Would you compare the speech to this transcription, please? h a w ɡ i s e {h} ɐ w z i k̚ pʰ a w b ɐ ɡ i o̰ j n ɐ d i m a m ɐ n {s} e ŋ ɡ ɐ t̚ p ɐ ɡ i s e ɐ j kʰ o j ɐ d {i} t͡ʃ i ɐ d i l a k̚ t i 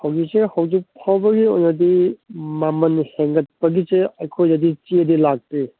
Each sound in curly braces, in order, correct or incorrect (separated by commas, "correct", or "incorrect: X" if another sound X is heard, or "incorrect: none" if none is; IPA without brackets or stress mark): correct, incorrect: h, correct